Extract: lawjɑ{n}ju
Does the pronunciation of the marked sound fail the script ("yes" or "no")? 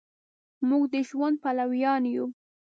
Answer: no